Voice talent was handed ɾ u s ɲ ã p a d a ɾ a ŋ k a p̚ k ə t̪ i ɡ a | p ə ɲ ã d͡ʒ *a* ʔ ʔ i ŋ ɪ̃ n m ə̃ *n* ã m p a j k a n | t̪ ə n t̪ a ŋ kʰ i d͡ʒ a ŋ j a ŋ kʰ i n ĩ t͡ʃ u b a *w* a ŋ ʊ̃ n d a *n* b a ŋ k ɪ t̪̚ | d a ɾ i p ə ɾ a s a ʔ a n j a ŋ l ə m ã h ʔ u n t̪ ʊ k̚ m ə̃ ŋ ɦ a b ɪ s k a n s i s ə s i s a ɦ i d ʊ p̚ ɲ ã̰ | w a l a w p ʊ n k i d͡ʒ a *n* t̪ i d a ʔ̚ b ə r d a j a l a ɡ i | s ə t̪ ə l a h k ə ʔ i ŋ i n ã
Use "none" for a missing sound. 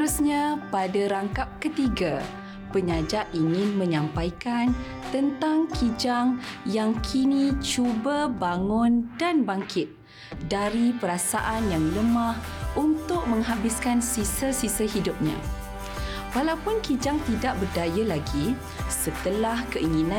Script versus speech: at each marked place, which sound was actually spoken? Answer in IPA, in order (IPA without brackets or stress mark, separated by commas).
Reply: a, ɲ, b, n, ŋ